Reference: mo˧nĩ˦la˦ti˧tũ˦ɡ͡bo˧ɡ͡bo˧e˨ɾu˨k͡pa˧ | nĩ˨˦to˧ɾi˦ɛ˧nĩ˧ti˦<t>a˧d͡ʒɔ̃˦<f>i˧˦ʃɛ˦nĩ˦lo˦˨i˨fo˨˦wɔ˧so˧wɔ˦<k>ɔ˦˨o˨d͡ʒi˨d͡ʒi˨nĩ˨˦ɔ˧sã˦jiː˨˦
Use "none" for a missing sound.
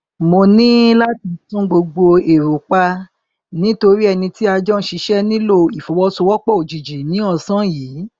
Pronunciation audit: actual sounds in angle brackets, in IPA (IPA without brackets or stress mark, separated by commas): none, ʃ, k͡p